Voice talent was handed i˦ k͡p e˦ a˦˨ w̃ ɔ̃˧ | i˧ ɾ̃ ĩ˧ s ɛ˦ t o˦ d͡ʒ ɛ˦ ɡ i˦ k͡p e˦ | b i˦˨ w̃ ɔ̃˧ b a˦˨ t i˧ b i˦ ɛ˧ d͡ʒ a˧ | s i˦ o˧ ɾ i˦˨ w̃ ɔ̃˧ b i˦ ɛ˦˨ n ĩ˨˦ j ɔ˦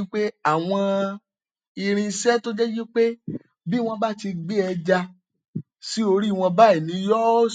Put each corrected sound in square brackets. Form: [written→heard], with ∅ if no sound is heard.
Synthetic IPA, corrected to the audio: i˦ k͡p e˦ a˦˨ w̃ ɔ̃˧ | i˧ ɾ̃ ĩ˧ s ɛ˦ t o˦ d͡ʒ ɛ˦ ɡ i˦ k͡p e˦ | b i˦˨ w̃ ɔ̃˧ b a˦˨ t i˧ [b→ɡ͡b] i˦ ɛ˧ d͡ʒ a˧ | s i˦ o˧ ɾ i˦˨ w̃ ɔ̃˧ b [i˦→a˦] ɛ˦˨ n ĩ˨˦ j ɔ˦